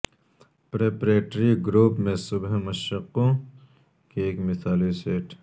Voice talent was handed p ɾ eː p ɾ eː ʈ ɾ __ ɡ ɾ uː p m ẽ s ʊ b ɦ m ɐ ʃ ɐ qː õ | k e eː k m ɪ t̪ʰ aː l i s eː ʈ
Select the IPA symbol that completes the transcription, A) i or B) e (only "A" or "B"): A